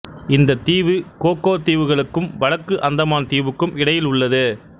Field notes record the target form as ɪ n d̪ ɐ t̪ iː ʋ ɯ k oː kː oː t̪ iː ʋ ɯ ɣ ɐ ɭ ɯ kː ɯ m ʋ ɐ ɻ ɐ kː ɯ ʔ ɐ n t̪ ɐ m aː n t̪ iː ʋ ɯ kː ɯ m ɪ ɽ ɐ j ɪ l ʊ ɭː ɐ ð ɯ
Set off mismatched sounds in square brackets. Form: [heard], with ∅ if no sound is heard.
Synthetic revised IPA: ɪ n d̪ ɐ t̪ iː ʋ ɯ k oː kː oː t̪ iː ʋ ɯ ɣ ɐ ɭ ɯ kː ɯ m ʋ ɐ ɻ ɐ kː ɯ ʔ ɐ n [d̪] ɐ m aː n t̪ iː ʋ ɯ kː ɯ m ɪ ɽ ɐ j ɪ l ʊ ɭː ɐ ð ɯ